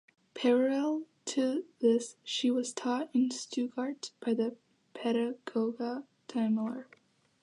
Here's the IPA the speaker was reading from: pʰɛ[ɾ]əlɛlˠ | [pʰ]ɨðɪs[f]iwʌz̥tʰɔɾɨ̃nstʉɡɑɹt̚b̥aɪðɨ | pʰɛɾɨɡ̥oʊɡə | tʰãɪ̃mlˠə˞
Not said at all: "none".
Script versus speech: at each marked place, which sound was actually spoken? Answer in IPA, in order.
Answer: ɹ, tʰ, ʃ

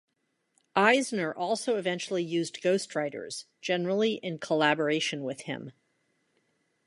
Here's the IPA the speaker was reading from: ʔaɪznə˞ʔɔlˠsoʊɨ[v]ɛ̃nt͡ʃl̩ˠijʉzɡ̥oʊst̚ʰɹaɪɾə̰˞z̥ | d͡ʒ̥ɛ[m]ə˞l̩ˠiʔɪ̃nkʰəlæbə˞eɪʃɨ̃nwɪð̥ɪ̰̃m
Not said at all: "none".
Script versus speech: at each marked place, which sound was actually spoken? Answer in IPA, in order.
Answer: v, n

